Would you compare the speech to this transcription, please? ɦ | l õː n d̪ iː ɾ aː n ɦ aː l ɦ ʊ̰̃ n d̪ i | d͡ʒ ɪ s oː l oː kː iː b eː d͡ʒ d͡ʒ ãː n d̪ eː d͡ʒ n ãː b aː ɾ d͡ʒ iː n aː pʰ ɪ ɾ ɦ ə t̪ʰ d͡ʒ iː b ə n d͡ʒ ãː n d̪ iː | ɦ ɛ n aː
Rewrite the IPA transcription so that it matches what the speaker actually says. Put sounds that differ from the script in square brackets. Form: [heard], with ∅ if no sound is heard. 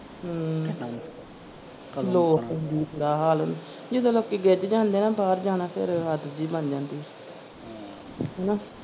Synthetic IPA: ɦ | l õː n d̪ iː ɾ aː [∅] ɦ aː l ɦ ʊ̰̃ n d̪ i | d͡ʒ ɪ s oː l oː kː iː [ɡ] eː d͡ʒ d͡ʒ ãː n d̪ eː [∅] n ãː b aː ɾ d͡ʒ [aː] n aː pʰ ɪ ɾ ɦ ə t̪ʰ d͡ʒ iː b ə n d͡ʒ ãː n d̪ iː | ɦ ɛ n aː